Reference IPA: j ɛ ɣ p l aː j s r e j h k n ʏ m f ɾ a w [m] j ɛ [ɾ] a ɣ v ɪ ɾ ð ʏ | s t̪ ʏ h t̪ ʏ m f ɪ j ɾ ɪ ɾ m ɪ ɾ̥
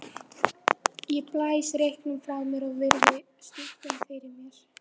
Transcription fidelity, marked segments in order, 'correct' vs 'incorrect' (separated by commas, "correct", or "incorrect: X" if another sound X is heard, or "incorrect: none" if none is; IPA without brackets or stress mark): correct, correct